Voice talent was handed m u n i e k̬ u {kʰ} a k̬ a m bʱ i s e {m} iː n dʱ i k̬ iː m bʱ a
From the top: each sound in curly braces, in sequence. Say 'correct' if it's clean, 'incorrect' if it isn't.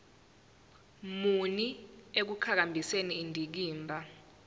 correct, incorrect: n

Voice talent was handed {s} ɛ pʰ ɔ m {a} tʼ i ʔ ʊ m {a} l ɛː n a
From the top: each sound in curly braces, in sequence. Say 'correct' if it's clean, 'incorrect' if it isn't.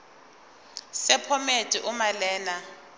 correct, incorrect: e, correct

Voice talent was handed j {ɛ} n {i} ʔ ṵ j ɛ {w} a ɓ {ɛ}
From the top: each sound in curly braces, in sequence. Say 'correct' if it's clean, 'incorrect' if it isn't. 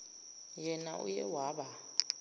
correct, incorrect: a, correct, incorrect: a

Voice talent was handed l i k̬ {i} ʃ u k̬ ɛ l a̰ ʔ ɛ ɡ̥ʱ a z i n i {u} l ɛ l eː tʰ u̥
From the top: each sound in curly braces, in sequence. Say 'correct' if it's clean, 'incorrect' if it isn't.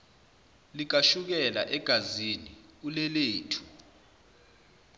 incorrect: a, correct

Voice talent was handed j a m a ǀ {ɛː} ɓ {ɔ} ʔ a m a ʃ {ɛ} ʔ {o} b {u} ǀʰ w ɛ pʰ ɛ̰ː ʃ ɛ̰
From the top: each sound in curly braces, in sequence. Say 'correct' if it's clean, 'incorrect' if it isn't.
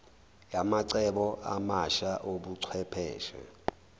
incorrect: ɛ, correct, incorrect: a, correct, correct

